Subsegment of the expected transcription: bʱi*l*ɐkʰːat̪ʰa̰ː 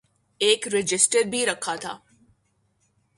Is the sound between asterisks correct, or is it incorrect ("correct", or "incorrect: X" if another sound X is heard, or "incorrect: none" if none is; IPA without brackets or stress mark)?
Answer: incorrect: ɾ